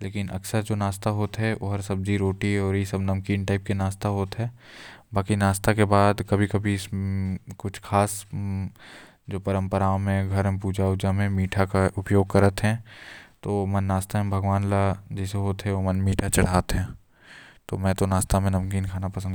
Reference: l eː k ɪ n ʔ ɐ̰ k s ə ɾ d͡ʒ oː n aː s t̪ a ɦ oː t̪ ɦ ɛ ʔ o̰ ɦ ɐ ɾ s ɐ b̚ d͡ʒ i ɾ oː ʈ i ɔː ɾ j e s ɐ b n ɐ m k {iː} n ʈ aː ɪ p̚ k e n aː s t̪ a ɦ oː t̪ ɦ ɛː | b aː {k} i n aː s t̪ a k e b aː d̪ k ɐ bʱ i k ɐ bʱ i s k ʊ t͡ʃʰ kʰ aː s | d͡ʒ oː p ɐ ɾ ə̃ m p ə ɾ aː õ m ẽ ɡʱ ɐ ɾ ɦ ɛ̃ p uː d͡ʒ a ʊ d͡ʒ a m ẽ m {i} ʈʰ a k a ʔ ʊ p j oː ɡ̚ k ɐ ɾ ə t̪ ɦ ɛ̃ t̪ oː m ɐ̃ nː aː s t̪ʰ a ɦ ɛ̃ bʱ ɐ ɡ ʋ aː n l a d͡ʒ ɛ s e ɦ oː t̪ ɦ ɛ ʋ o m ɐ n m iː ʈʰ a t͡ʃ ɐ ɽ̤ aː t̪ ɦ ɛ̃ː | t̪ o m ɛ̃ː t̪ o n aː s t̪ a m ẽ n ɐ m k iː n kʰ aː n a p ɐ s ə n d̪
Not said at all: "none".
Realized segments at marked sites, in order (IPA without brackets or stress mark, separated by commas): iː, k, iː